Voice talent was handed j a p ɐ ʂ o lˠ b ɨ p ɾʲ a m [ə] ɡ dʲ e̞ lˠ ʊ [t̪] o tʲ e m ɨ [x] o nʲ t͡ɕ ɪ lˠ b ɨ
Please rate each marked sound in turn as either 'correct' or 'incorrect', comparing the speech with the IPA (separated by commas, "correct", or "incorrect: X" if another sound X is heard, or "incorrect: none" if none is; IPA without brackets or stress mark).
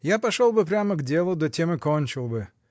correct, incorrect: d̪, incorrect: k